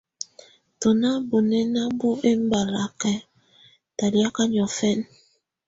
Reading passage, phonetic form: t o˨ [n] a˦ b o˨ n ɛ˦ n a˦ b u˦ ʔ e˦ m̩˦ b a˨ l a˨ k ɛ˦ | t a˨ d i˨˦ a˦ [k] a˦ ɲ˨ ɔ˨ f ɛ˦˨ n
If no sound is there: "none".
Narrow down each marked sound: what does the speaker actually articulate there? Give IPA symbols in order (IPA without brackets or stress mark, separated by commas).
n, k